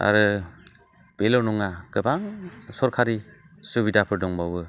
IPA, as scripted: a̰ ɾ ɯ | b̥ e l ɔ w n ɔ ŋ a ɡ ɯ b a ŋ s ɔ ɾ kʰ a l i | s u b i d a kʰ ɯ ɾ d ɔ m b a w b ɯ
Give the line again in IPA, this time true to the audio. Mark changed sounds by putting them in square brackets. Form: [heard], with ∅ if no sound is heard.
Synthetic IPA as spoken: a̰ ɾ ɯ | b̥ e l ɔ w n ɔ ŋ a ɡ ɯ b a ŋ s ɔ ɾ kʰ a [ɾ] i | s u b i d a [pʰ] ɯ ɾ d ɔ [ŋ] b a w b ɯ